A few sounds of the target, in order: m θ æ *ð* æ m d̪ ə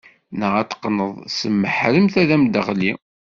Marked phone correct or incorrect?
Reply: correct